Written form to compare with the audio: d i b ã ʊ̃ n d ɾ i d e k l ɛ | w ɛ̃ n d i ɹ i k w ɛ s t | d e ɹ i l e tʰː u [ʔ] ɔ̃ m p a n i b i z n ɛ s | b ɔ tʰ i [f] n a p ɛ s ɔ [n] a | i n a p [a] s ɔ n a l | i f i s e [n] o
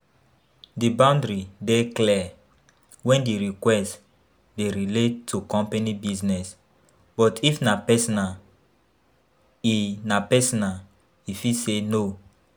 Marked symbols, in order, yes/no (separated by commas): no, yes, yes, no, yes